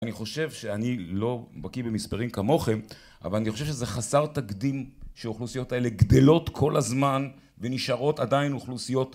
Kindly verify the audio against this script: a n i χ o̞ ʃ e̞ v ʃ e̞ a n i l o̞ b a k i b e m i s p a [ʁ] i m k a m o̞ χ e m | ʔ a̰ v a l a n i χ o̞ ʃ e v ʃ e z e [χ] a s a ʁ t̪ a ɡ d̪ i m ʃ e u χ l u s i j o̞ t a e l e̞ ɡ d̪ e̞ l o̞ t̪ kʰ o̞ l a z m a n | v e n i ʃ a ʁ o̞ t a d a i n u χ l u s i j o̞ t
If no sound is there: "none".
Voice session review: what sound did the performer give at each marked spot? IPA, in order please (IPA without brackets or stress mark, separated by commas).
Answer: ʁ, χ